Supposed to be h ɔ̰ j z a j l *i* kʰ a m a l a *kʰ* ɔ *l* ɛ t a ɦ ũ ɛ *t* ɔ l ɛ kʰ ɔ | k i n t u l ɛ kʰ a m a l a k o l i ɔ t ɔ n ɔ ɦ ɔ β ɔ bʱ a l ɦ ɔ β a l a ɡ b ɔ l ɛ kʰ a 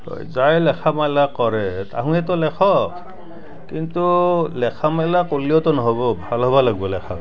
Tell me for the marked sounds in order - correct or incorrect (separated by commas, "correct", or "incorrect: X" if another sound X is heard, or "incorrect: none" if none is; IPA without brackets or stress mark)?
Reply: incorrect: ɛ, incorrect: k, incorrect: ɹ, correct